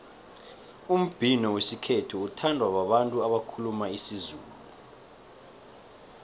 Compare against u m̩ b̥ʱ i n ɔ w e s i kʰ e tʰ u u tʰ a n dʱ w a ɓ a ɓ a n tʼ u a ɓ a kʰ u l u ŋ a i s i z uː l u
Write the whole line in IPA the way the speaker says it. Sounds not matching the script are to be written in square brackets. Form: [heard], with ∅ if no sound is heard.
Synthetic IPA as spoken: u m̩ b̥ʱ i n ɔ w e s i kʰ e tʰ u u tʰ a n dʱ w a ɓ a ɓ a n tʼ u a ɓ a kʰ u l u [m] a i s i z uː l u